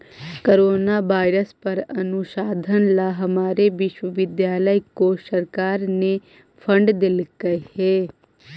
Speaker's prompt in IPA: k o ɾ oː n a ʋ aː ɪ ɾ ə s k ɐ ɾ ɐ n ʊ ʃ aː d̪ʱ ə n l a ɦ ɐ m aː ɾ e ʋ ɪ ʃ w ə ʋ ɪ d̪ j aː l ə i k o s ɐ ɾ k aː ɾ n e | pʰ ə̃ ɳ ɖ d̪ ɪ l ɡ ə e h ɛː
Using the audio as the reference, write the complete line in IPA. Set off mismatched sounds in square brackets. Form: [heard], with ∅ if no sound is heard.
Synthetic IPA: k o ɾ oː n a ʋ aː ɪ ɾ ə s [p] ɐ ɾ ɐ n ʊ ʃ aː d̪ʱ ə n l a ɦ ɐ m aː ɾ e ʋ ɪ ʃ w ə ʋ ɪ d̪ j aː l ə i k o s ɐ ɾ k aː ɾ n e | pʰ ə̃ ɳ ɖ d̪ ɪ l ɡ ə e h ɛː